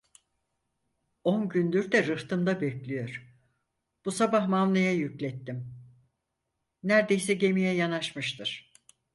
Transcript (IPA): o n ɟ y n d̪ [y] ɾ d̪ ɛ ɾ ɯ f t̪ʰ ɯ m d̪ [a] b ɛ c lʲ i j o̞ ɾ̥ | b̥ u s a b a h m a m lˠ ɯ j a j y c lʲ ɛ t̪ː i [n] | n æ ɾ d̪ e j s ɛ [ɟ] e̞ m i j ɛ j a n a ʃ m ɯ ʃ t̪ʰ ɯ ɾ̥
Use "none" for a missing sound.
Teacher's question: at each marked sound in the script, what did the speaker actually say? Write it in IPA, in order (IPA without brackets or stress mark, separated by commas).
y, a, m, ɟ